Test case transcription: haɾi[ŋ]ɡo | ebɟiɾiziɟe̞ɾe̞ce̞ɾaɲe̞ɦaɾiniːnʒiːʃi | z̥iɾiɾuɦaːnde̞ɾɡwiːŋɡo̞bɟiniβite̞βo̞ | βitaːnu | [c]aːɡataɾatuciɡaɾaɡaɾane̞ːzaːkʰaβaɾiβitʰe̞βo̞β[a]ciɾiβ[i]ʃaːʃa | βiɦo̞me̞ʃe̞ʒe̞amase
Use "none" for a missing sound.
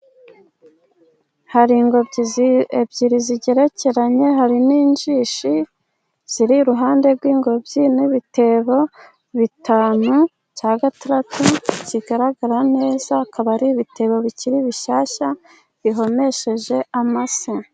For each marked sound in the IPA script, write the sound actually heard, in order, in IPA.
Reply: ŋ, c, i, i

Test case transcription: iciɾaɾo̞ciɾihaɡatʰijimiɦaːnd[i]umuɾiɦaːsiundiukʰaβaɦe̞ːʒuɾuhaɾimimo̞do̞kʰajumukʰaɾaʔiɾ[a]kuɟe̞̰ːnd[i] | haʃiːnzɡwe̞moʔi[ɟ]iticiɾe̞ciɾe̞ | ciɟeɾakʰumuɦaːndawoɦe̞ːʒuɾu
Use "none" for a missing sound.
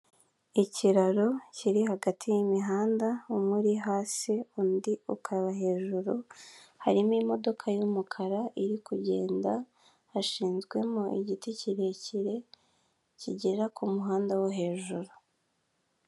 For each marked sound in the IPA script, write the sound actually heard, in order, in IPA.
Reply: a, i, a, ɟ

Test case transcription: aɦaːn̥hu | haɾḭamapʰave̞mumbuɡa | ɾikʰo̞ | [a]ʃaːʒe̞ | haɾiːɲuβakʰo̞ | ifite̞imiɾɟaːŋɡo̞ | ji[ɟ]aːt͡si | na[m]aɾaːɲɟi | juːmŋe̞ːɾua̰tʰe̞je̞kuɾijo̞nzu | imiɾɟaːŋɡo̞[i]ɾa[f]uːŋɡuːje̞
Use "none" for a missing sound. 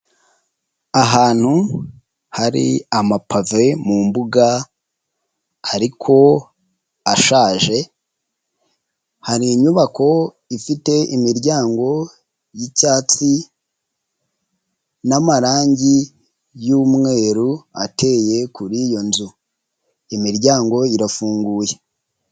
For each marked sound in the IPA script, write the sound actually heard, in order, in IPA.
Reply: a, c, m, i, f

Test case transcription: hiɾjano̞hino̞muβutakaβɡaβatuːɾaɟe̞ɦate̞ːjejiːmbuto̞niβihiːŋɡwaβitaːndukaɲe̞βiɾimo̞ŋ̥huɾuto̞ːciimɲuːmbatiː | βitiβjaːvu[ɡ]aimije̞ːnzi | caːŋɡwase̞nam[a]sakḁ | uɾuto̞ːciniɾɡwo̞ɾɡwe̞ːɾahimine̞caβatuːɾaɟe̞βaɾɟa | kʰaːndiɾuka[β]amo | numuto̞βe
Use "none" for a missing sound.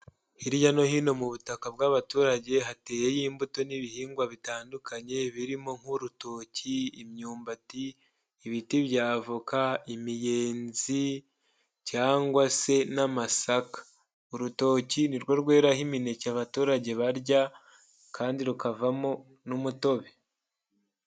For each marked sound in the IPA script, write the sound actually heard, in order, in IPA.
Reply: k, a, v

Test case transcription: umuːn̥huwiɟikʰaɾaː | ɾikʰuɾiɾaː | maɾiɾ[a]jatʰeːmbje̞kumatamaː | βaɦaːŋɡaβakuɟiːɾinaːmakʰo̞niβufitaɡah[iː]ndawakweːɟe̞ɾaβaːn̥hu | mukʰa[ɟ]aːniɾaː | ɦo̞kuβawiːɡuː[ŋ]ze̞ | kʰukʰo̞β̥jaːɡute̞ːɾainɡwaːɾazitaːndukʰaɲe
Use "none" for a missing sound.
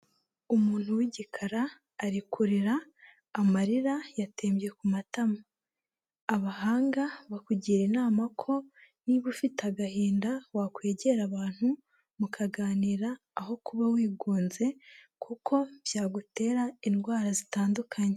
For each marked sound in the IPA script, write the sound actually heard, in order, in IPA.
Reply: a, iː, ɡ, n

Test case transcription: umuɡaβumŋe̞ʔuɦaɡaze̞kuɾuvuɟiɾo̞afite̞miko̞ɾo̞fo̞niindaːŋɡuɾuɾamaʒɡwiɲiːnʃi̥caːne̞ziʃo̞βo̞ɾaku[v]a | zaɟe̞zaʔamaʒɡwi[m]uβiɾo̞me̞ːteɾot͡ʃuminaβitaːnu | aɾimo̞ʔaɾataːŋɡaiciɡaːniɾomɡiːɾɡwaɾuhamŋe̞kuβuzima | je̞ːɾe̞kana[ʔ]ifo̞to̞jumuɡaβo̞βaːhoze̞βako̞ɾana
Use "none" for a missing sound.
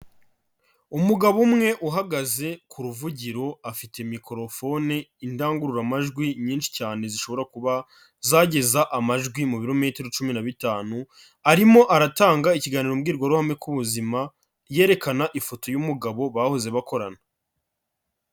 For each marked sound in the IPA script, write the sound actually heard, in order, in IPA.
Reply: β, m, ʔ

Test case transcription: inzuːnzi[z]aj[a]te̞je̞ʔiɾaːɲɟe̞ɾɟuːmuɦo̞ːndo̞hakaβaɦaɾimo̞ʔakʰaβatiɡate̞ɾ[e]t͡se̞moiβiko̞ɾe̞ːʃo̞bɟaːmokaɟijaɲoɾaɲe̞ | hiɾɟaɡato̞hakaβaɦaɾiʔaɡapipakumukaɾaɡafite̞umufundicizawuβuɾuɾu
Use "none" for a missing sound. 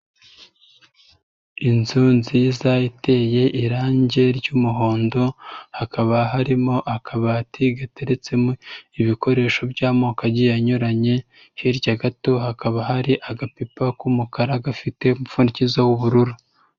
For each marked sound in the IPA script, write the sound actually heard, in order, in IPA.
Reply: z, i, e

